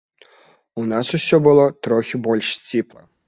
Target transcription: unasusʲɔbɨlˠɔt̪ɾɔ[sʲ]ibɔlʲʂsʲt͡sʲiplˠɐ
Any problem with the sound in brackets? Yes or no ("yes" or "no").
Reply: yes